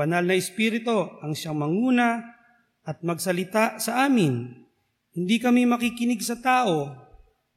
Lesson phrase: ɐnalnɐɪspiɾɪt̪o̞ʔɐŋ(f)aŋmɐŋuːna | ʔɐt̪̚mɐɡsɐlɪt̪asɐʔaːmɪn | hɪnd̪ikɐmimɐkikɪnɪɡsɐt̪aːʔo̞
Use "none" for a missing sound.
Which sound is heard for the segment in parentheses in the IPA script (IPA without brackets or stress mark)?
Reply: ʃ